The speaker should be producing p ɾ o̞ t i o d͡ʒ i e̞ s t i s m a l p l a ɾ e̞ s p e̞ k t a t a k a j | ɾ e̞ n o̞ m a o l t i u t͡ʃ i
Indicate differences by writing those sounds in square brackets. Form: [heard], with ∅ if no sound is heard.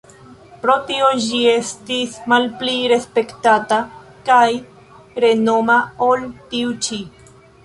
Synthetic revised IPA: p ɾ o̞ t i o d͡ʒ i e̞ s t i s m a l p l [i] ɾ e̞ s p e̞ k t a t a k a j | ɾ e̞ n o̞ m a o l t i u t͡ʃ i

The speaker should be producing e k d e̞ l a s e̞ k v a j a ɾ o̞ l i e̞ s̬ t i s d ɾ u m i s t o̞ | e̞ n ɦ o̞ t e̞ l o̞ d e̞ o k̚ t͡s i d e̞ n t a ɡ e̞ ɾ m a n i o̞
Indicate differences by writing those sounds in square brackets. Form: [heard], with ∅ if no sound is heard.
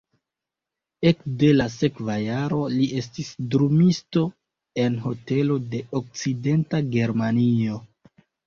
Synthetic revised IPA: e k d e̞ l a s e̞ k v a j a ɾ o̞ l i e̞ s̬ t i s d ɾ u m i s t o̞ | e̞ n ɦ o̞ t e̞ l o̞ d e̞ o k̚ t͡s i d e̞ n t a ɡ e̞ ɾ m a n i o̞

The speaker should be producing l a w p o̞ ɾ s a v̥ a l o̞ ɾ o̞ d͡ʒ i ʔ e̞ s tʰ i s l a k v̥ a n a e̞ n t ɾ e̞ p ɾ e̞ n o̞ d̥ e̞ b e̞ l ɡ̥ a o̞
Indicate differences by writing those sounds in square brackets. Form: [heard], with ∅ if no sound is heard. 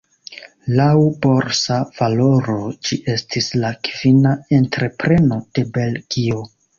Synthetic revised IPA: l a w [b] o̞ ɾ s a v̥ a l o̞ ɾ o̞ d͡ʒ i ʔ e̞ s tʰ i s l a k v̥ [i] n a e̞ n t ɾ e̞ p ɾ e̞ n o̞ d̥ e̞ b e̞ l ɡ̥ [i] o̞

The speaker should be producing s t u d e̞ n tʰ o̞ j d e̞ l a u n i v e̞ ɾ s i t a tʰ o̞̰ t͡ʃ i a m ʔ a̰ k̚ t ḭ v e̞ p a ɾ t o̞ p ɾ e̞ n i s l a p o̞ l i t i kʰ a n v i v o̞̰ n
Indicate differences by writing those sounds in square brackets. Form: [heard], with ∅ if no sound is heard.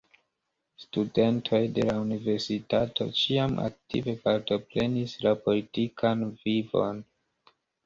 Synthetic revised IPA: s t u d e̞ n tʰ o̞ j d e̞ l a u n i v e̞ ɾ s i t a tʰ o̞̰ t͡ʃ i a m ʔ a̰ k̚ t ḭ v e̞ p a ɾ t o̞ p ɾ e̞ n i s l a p o̞ l i t i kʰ a n v i v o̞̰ n

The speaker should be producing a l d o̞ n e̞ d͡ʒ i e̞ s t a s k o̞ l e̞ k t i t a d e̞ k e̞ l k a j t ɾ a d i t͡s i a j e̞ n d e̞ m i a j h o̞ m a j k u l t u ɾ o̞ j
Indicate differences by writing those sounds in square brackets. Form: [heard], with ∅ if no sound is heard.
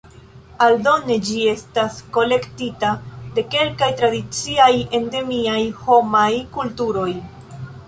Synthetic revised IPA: a l d o̞ n e̞ d͡ʒ i e̞ s t a s k o̞ l e̞ k t i t a d e̞ k e̞ l k a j t ɾ a d i t͡s i a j e̞ n d e̞ m i a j h o̞ m a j k u l t u ɾ o̞ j

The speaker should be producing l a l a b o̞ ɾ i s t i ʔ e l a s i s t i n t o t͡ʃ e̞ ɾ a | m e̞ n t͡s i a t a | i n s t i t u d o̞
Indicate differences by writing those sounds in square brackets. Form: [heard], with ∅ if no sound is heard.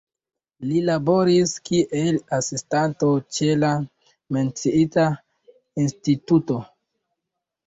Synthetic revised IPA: l [i] l a b o̞ ɾ i s [k] i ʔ e l a s i s t [a] n t o t͡ʃ e̞ [l] a | m e̞ n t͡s i [i] t a | i n s t i t u [t] o̞

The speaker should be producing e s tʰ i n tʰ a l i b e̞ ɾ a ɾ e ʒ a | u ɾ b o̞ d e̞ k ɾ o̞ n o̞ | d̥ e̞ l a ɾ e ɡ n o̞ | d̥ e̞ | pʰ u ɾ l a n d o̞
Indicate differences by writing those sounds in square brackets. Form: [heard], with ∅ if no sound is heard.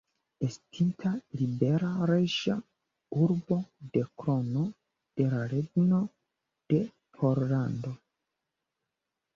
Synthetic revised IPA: e s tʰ i n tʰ a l i b e̞ ɾ a ɾ e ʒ a | u ɾ b o̞ d e̞ k ɾ o̞ n o̞ | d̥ e̞ l a ɾ e ɡ n o̞ | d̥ e̞ | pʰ [o] ɾ l a n d o̞

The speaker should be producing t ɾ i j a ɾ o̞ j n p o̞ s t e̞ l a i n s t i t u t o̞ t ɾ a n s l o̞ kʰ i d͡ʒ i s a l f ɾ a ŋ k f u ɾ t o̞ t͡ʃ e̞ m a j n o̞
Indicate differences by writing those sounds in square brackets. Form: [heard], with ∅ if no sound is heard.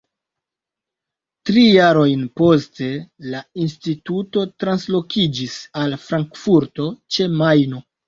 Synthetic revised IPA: t ɾ i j a ɾ o̞ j n p o̞ s t e̞ l a i n s t i t u t o̞ t ɾ a n s l o̞ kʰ i d͡ʒ i s a l f ɾ a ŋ k f u ɾ t o̞ t͡ʃ e̞ m a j n o̞

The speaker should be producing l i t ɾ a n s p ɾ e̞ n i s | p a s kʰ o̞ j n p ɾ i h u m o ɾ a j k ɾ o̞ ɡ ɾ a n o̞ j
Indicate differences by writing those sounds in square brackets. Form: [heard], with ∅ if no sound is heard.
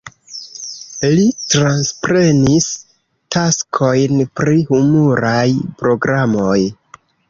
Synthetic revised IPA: l i t ɾ a n s p ɾ e̞ n i s | [t] a s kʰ o̞ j n p ɾ i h u m [u] ɾ a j [p] ɾ o̞ ɡ ɾ a [m] o̞ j

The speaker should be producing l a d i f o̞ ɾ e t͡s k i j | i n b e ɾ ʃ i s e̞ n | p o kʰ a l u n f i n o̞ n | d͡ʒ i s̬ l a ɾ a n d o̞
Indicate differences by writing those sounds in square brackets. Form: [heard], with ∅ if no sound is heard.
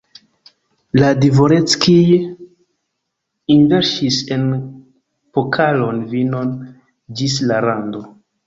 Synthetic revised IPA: l a d i [v] o̞ ɾ e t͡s k i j | i n [v] e ɾ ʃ i s e̞ n | p o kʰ a l [o] n [v] i n o̞ n | d͡ʒ i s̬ l a ɾ a n d o̞

